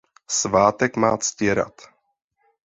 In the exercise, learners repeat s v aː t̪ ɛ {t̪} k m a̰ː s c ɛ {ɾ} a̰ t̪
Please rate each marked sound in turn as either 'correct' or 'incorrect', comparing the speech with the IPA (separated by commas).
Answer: incorrect, correct